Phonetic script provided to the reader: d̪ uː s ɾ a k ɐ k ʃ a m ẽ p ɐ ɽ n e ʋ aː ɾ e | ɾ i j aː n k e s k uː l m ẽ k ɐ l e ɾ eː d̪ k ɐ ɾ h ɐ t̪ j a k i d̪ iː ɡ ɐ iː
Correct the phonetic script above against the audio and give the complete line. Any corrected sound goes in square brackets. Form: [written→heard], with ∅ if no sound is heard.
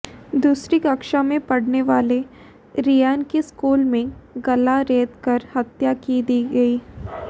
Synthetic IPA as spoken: d̪ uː s ɾ [a→i] k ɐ k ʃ a m ẽ p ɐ ɽ n e ʋ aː [ɾ→l] e | ɾ i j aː n k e s k uː l m ẽ [k→ɡ] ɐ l [e→a] ɾ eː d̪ k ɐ ɾ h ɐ t̪ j a k i d̪ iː ɡ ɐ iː